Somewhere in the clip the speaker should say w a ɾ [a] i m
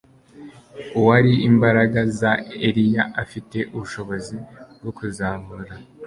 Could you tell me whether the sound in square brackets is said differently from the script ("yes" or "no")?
yes